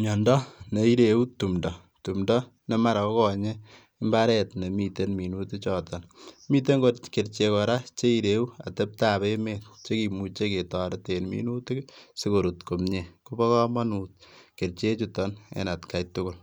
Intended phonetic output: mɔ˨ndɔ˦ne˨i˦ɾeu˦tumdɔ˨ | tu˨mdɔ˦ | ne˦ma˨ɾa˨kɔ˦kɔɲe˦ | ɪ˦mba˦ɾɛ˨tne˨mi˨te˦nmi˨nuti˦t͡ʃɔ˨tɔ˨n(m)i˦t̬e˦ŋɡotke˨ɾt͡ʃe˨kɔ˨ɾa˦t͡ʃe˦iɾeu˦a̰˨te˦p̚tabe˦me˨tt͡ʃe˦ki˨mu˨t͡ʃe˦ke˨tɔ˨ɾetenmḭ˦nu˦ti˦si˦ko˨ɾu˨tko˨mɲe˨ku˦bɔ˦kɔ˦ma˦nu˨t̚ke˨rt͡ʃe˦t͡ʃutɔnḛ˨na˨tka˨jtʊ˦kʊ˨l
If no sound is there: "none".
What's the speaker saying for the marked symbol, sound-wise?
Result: m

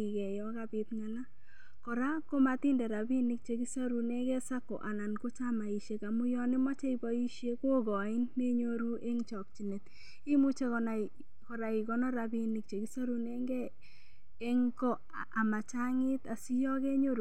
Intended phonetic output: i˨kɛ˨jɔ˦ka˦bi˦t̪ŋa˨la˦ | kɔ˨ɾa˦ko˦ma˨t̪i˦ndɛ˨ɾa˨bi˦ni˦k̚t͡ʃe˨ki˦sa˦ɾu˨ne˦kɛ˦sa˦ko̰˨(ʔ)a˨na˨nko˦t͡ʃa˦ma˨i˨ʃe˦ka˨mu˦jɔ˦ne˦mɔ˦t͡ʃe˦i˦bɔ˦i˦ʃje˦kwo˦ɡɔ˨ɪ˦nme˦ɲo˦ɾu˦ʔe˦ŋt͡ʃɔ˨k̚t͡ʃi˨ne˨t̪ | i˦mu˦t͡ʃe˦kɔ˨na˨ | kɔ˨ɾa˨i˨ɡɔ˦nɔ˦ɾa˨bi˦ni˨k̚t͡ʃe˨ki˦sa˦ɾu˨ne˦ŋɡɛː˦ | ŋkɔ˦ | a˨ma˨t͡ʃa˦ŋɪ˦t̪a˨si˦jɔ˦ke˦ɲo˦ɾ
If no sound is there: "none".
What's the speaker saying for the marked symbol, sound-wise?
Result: ʔ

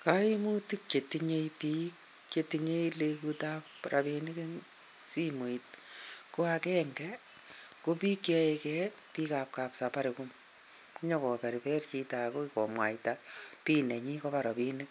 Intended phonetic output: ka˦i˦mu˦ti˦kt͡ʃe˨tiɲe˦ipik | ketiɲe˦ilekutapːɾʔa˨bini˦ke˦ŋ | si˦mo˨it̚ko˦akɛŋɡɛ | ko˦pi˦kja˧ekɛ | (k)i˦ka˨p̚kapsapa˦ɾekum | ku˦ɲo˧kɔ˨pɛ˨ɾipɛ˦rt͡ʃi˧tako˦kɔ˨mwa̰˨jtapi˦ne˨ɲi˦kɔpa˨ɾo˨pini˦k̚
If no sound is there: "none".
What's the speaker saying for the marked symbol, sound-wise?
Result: p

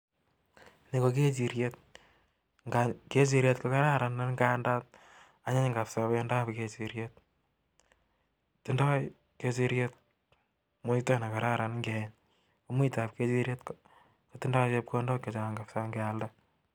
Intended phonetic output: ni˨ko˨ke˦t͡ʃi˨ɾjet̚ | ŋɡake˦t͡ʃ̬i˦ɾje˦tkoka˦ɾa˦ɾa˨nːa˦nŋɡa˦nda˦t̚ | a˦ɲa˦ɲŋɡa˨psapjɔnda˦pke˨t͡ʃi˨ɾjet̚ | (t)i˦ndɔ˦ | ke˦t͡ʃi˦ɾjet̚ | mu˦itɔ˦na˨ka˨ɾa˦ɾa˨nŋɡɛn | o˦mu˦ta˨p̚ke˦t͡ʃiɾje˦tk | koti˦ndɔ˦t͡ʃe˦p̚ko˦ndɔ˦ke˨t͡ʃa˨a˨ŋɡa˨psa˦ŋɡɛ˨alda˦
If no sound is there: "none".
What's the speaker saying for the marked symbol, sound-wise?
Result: t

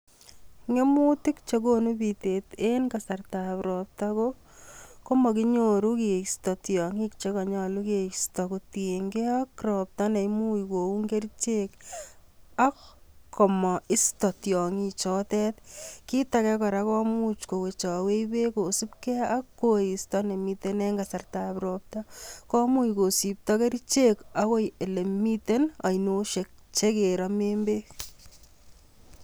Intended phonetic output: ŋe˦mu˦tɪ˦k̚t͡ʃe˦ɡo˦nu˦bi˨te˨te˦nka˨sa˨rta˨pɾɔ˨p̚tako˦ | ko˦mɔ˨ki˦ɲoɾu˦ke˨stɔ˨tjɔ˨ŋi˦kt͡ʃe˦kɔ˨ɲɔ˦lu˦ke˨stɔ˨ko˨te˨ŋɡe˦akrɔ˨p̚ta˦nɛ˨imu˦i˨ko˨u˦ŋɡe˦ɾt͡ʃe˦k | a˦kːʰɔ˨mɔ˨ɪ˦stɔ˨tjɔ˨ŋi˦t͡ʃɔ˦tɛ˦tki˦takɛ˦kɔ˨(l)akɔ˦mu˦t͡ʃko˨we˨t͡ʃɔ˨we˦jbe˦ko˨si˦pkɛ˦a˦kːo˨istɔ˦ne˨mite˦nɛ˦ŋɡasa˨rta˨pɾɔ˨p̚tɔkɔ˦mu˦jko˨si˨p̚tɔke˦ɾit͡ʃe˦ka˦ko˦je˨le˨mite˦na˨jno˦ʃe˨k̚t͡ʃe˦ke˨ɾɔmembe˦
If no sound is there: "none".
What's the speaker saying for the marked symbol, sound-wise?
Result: ɾ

